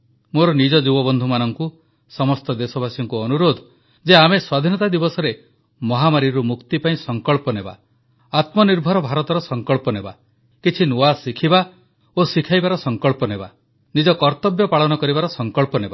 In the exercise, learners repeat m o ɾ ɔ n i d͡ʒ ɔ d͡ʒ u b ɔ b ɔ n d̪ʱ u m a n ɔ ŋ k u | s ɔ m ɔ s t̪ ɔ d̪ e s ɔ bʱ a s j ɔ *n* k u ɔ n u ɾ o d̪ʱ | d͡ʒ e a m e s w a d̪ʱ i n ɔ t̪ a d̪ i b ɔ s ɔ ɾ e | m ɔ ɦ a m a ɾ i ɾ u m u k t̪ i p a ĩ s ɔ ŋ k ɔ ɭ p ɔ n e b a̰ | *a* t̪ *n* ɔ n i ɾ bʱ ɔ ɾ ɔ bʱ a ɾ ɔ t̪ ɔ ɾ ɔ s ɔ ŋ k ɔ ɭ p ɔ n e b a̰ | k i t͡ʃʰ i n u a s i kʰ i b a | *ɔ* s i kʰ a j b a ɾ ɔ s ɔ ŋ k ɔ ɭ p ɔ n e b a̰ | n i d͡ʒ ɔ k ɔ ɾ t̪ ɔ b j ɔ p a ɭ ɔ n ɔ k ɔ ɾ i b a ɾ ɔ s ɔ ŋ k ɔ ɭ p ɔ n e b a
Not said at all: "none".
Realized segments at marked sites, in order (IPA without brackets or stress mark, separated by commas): ŋ, a, m, o